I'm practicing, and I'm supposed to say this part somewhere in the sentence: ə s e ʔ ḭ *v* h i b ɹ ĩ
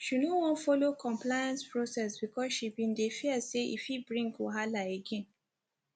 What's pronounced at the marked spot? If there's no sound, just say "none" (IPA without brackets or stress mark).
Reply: f